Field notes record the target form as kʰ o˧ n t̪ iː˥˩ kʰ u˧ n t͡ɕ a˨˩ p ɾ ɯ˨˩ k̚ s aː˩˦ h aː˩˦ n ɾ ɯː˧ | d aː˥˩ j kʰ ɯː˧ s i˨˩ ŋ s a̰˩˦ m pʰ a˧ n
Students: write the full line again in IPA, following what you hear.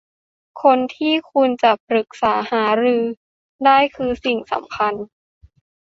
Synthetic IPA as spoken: kʰ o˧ n t̪ʰ iː˥˩ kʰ u˧ n t͡ɕ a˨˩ p ɾ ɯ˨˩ k̚ s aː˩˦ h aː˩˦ ɾ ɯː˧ | d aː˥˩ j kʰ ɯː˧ s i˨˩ ŋ s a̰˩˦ m kʰ a˧ n